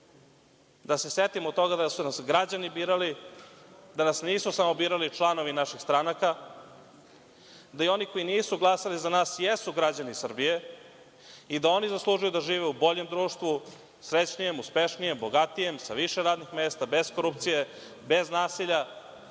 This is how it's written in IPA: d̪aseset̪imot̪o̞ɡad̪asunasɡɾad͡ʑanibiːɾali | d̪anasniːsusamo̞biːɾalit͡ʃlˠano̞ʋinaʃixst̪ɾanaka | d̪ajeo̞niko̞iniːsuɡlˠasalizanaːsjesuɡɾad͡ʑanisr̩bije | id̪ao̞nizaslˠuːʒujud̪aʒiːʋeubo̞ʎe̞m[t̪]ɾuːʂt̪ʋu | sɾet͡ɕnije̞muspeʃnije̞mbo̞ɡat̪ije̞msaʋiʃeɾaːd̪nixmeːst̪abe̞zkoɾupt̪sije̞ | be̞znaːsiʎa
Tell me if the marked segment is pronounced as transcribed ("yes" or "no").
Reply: no